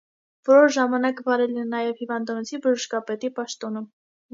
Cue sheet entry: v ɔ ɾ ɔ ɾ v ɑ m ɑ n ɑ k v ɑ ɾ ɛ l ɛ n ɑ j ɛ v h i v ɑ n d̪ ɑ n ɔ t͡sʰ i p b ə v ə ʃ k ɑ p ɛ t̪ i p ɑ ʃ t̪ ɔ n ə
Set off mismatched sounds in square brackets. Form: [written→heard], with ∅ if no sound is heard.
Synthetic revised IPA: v ɔ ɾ ɔ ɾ [v→ʒ] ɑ m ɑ n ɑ k v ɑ ɾ ɛ l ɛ n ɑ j ɛ v h i v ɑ n d̪ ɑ n ɔ t͡sʰ i [p→∅] b ə [v→ʒ] ə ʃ k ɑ p ɛ t̪ i p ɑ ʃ t̪ ɔ n ə